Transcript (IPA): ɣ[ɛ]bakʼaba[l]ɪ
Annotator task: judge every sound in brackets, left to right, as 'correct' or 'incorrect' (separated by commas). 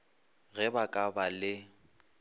correct, correct